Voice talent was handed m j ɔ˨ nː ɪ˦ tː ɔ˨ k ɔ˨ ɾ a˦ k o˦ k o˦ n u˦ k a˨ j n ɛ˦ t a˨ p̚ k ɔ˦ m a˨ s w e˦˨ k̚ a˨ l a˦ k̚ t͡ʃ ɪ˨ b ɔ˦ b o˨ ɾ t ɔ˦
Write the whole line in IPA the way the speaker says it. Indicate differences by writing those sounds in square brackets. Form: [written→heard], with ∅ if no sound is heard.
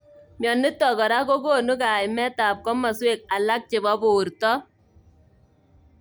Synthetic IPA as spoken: m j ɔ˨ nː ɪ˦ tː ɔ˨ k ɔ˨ ɾ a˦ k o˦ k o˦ n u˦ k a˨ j [n→m] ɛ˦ t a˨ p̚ k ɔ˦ m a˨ s w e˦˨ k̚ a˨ l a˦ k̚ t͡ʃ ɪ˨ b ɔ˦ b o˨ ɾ t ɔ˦